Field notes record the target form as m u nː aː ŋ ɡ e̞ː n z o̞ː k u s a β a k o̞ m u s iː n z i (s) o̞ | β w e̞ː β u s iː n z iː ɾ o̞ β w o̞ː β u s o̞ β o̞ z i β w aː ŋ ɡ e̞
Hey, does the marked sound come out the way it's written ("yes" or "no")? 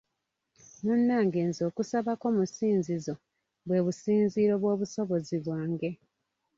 no